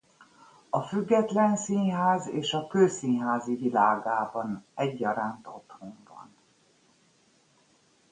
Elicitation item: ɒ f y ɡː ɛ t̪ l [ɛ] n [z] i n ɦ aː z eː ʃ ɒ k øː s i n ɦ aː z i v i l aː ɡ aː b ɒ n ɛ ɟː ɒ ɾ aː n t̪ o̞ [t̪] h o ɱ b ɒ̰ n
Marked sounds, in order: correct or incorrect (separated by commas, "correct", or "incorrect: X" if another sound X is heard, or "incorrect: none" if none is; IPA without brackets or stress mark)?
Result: correct, incorrect: s, correct